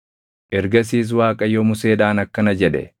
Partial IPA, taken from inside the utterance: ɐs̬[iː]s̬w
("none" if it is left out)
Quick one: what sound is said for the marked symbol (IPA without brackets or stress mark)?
iː